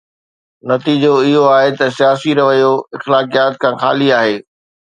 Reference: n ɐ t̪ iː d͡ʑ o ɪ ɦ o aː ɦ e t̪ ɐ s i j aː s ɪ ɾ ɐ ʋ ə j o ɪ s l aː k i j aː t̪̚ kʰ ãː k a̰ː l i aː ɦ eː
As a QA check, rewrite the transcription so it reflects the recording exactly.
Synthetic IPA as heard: n ɐ t̪ iː d͡ʑ o ɪ ɦ o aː ɦ e t̪ ɐ s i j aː s i ɾ ɐ ʋ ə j o ɪ x l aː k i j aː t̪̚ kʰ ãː x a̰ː l i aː ɦ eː